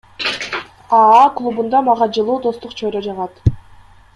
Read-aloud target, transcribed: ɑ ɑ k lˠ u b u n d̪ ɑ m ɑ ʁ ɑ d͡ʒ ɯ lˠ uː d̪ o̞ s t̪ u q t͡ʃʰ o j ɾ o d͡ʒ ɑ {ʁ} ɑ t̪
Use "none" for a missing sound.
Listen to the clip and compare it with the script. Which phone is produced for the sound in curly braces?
ʁ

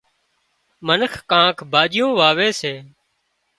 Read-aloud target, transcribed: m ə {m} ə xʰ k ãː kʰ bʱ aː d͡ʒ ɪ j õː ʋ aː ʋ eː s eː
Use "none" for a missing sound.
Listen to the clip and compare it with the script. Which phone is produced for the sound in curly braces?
n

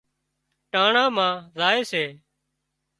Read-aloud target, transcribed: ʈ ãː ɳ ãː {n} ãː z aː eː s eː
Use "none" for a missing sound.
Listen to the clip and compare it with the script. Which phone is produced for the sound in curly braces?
m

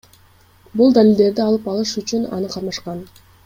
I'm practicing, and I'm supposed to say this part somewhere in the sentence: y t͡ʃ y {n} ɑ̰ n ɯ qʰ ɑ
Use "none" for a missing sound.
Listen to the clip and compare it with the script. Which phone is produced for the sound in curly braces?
n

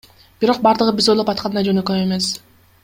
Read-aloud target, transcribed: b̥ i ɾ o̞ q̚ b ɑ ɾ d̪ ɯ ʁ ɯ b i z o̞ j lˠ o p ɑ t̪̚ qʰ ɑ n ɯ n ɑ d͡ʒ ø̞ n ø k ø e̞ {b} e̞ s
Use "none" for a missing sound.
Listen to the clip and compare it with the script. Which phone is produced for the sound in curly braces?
m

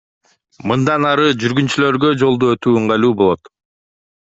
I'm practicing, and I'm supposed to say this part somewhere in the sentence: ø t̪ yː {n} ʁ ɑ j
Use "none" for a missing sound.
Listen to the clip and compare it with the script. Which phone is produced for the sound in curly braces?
ɴ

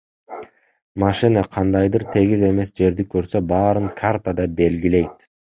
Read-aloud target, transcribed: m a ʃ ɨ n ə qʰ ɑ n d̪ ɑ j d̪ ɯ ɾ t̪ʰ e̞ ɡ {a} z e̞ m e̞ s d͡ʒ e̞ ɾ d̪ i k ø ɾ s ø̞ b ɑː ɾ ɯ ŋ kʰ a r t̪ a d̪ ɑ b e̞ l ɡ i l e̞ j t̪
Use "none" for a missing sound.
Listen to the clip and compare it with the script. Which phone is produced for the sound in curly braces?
i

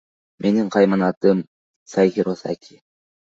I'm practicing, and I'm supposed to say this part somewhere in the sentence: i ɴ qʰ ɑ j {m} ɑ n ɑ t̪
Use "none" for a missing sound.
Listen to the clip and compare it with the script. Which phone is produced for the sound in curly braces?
m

